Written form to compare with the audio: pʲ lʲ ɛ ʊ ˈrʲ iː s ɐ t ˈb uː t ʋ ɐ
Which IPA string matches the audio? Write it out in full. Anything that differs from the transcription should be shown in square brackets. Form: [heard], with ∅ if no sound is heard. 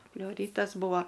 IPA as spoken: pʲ lʲ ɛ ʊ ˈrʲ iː [t] ɐ [s] ˈb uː [∅] ʋ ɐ